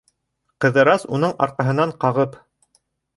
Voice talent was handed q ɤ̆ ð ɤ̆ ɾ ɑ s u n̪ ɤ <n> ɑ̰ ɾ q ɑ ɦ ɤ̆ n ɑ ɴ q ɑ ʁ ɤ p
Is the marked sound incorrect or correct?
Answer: incorrect